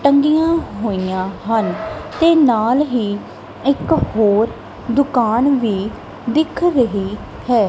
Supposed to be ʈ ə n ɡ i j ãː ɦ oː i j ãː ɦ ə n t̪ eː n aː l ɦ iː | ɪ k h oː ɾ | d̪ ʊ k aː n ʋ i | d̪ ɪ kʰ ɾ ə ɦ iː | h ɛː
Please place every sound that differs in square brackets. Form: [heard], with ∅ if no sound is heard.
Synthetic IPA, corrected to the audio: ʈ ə [ŋ] ɡ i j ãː ɦ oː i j ãː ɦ ə n t̪ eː n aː l ɦ iː | ɪ k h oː ɾ | d̪ ʊ k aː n ʋ [iː] | d̪ ɪ kʰ ɾ ə ɦ iː | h ɛː